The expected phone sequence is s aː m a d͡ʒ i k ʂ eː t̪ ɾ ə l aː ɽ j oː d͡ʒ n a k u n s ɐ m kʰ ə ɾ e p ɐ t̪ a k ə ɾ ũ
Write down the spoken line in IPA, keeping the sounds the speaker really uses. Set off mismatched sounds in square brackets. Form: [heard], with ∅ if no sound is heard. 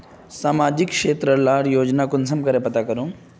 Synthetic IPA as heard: s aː m a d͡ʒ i k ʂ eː t̪ ɾ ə l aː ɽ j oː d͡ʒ n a k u n s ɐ m [k] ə ɾ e p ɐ t̪ a k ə ɾ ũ